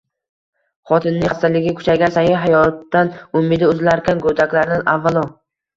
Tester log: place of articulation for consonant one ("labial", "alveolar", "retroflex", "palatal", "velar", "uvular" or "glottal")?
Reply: uvular